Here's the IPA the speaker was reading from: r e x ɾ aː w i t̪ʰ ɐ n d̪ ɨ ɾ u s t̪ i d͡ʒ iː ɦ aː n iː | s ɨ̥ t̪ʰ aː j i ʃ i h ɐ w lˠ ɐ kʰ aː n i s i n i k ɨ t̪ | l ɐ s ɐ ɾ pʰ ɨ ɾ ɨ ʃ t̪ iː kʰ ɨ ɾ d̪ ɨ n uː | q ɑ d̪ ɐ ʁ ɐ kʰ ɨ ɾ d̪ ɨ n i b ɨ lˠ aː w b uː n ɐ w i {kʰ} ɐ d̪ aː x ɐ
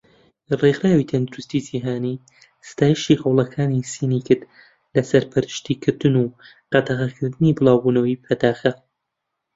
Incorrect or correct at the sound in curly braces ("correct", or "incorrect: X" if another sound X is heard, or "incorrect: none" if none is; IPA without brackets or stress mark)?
incorrect: pʰ